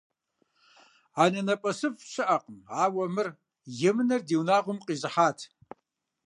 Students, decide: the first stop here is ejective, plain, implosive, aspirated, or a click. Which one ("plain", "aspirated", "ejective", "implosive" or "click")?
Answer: ejective